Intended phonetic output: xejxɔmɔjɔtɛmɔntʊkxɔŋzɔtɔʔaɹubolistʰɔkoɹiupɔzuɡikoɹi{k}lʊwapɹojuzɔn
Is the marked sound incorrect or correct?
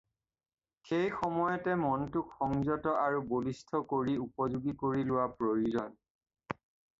incorrect